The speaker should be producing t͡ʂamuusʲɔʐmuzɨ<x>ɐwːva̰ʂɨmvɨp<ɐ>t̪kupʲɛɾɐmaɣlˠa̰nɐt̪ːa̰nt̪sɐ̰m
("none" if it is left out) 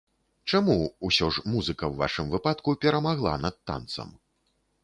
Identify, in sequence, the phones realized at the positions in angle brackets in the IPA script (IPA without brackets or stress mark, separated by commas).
k, a